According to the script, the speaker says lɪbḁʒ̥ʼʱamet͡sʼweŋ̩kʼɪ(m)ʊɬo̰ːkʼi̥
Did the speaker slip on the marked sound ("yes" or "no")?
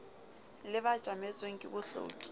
yes